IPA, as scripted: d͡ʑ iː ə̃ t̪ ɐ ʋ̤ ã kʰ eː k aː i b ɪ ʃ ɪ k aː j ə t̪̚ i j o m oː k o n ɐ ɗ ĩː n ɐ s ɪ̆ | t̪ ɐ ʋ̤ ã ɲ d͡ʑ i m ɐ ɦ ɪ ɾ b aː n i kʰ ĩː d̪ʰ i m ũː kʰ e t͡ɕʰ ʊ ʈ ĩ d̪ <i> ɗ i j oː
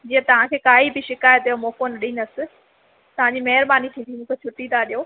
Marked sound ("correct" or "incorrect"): incorrect